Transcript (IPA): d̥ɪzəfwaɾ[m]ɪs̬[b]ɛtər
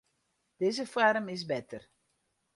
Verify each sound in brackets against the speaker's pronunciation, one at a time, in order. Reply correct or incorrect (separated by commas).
correct, correct